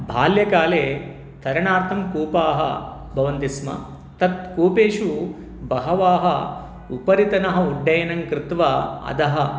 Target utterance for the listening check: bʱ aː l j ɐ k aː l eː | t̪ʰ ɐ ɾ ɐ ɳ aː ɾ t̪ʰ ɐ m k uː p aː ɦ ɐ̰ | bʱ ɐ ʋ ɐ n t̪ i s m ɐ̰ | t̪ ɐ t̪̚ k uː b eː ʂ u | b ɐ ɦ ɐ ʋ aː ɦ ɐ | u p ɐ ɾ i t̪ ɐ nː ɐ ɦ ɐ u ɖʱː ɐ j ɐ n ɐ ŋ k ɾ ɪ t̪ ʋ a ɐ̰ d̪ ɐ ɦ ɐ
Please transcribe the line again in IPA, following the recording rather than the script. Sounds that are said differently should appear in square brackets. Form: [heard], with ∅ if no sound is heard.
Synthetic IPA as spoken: bʱ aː l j ɐ k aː l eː | t̪ʰ ɐ ɾ ɐ ɳ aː ɾ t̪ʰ ɐ m k uː p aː ɦ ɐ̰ | bʱ ɐ ʋ ɐ n t̪ i s m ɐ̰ | t̪ ɐ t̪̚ k uː [p] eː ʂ u | b ɐ ɦ ɐ ʋ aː ɦ ɐ | u p ɐ ɾ i t̪ ɐ [n] ɐ ɦ ɐ u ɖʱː ɐ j ɐ n ɐ ŋ k ɾ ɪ t̪ ʋ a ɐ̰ d̪ ɐ ɦ ɐ

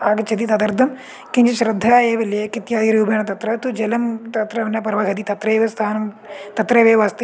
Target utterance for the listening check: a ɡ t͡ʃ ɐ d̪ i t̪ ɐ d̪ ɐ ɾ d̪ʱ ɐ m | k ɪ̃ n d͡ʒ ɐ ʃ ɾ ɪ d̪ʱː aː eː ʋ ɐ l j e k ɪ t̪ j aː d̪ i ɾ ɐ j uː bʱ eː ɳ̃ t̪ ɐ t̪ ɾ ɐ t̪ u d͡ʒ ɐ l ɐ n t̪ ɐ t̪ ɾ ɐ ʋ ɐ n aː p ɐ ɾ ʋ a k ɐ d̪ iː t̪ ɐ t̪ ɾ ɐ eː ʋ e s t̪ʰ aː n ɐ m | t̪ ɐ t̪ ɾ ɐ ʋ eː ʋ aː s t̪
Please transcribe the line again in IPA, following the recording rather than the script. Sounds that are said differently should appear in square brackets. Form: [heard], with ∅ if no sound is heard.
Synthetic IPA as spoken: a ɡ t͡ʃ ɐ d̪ i t̪ ɐ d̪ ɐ ɾ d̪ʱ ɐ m | k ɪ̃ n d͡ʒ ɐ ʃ ɾ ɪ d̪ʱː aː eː ʋ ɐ l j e k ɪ t̪ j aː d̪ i ɾ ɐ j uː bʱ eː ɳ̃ t̪ ɐ t̪ ɾ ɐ t̪ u d͡ʒ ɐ l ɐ [m] t̪ ɐ t̪ ɾ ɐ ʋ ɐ n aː p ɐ ɾ ʋ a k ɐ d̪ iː t̪ ɐ t̪ ɾ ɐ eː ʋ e s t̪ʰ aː n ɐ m | t̪ ɐ t̪ ɾ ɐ ʋ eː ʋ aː s t̪

